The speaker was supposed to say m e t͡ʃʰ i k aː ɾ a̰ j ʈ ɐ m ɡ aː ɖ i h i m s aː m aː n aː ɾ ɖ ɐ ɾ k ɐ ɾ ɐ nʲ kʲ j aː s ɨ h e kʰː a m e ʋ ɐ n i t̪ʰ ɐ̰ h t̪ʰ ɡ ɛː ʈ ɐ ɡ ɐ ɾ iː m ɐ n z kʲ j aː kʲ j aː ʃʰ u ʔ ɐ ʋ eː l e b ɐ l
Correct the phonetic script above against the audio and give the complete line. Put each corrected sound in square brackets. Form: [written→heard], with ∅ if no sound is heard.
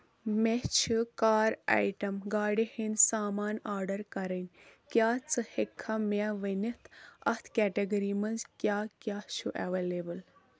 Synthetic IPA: m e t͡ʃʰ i k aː ɾ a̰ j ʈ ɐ m ɡ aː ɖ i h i [m→n] s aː m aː n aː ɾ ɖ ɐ ɾ k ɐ ɾ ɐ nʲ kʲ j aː [s→t͡s] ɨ h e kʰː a m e ʋ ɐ n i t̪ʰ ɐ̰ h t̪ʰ [ɡ→k] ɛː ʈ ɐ ɡ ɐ ɾ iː m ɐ n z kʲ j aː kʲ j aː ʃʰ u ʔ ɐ ʋ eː l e b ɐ l

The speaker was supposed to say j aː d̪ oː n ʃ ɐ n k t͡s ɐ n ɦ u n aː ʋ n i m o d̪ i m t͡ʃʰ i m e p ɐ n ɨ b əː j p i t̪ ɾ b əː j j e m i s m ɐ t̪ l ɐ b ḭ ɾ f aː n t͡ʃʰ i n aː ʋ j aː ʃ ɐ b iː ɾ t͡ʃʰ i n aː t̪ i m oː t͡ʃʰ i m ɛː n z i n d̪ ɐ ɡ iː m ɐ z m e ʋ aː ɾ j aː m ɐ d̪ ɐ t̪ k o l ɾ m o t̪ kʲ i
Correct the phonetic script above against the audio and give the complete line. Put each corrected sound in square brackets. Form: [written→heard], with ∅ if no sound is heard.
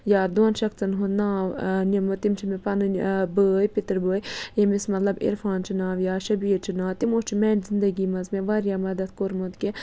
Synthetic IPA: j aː d̪ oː n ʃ ɐ [n→∅] k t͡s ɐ n ɦ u n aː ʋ n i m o [d̪→t̪] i m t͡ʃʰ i m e p ɐ n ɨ b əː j p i t̪ ɾ b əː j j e m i s m ɐ t̪ l ɐ b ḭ ɾ f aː n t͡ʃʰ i n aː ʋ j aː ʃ ɐ b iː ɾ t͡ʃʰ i n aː t̪ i m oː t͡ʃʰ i m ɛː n z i n d̪ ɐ ɡ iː m ɐ z m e ʋ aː ɾ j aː m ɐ d̪ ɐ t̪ k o [l→∅] ɾ m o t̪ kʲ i

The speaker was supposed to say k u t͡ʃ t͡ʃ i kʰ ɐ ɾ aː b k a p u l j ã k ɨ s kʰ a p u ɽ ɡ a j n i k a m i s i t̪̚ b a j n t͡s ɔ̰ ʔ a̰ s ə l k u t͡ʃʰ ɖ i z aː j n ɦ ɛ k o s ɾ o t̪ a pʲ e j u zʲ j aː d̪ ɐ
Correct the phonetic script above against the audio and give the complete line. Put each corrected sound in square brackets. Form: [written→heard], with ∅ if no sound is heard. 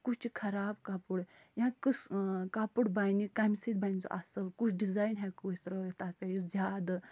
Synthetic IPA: k u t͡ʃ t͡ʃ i kʰ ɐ ɾ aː b k a p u [l→ɽ] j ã k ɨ s [kʰ→k] a p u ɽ [ɡ→b] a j n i k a m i s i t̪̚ b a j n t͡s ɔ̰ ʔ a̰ s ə l k u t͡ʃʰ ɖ i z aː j n ɦ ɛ k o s ɾ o t̪ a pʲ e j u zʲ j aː d̪ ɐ

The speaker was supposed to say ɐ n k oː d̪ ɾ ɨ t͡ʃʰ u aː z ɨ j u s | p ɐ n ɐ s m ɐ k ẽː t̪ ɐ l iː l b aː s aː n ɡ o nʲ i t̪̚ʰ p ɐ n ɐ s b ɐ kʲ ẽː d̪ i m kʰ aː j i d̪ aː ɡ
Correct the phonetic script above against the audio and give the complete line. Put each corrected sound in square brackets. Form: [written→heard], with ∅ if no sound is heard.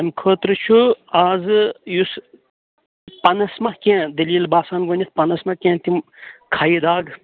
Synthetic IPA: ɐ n [k→kʰ] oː [d̪→t̪] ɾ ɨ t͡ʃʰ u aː z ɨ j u s | p ɐ n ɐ s m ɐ k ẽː [t̪→d̪] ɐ l iː l b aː s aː n ɡ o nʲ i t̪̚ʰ p ɐ n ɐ s [b→m] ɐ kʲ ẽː [d̪→t̪] i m kʰ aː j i d̪ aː ɡ

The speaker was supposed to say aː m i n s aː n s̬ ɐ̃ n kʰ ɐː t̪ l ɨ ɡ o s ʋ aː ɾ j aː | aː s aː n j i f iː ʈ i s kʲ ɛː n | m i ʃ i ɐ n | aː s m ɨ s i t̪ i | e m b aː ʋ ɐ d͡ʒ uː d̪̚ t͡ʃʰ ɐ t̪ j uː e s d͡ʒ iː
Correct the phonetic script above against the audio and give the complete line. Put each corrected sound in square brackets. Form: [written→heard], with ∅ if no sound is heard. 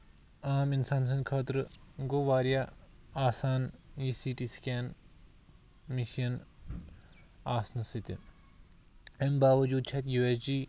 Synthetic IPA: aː m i n s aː n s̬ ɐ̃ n kʰ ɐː t̪ [l→ɾ] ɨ ɡ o [s→∅] ʋ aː ɾ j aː | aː s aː n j i [f→s] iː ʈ i s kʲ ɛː n | m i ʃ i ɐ n | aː s [m→n] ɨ s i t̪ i | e m b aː ʋ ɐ d͡ʒ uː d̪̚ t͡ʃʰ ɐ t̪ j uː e s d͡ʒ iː

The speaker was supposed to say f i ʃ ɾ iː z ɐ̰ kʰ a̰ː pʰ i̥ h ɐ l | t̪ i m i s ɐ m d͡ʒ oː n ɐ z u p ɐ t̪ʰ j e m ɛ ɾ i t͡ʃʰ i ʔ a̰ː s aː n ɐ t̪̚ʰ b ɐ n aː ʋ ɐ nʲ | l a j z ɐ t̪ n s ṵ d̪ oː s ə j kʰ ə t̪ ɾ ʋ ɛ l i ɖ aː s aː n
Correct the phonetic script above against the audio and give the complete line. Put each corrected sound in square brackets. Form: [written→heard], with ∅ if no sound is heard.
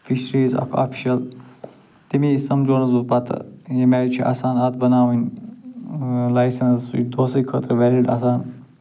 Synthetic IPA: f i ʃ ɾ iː z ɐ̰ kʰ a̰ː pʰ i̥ [h→ʃ] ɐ l | t̪ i m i s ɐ m d͡ʒ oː n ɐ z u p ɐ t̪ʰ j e m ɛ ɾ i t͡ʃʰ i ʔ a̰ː s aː n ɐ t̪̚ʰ b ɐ n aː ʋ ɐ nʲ | l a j [z→s] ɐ [t̪→∅] n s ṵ d̪ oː s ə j kʰ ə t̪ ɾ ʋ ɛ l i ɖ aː s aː n

